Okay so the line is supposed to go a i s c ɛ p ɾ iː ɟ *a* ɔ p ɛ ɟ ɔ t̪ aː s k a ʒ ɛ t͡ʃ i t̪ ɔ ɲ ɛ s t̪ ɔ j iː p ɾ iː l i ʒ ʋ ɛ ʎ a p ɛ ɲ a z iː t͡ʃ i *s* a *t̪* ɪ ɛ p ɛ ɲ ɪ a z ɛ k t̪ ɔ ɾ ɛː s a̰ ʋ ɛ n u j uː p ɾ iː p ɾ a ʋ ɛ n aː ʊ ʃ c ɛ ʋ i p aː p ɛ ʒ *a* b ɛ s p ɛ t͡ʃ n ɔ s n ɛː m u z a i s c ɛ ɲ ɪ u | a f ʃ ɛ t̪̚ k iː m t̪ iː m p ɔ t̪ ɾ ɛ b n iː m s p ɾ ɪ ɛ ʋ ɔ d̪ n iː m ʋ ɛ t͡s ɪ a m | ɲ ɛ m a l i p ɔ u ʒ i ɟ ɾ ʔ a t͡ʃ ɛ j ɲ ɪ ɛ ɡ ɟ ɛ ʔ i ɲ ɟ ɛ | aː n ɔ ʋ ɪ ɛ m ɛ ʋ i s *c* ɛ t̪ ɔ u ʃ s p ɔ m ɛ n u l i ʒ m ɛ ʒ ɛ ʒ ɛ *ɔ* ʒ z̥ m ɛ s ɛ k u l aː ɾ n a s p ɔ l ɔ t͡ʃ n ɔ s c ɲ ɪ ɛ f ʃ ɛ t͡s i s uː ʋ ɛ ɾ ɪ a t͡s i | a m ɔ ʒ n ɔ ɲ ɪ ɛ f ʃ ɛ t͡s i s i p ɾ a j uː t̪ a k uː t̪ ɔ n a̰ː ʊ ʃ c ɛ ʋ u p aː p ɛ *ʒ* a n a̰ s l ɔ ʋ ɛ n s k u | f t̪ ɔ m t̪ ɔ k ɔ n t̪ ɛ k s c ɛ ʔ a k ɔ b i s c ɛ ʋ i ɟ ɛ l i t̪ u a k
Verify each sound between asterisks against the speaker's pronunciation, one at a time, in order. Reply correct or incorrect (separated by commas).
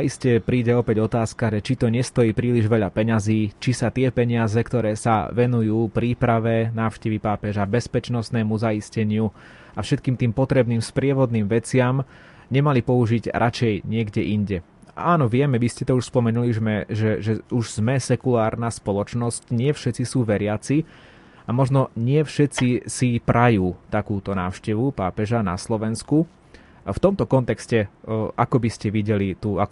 incorrect, correct, correct, correct, correct, incorrect, correct